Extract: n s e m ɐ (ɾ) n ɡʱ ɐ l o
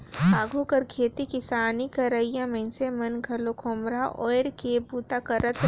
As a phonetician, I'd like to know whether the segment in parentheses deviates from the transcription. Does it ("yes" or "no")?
yes